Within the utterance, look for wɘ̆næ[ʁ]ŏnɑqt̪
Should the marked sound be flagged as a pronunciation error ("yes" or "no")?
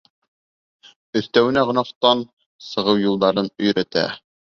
no